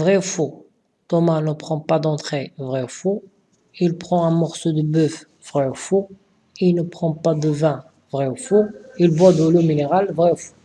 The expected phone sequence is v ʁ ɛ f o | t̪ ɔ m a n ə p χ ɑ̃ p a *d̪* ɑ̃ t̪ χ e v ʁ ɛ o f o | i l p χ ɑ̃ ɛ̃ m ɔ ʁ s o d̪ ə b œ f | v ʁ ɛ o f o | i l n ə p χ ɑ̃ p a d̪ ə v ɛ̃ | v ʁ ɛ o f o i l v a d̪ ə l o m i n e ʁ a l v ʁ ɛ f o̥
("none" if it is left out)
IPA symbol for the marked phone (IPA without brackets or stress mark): d̪